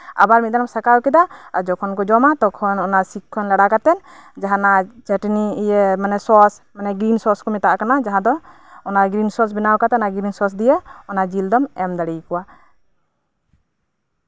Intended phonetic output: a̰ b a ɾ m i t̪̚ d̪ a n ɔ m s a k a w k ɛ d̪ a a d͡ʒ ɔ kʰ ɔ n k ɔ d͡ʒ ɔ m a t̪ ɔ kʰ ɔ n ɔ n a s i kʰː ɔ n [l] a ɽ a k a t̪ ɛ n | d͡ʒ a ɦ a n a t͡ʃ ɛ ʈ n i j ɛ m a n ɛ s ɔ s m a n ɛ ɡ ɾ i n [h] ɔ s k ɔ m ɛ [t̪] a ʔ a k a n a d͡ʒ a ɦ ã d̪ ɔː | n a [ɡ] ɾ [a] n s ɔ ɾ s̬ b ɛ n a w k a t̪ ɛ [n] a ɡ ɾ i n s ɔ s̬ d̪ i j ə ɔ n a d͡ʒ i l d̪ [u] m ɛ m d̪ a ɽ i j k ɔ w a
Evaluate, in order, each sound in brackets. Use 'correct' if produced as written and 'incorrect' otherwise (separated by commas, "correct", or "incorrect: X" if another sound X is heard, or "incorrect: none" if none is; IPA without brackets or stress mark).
correct, incorrect: s, correct, correct, incorrect: i, correct, incorrect: ɔ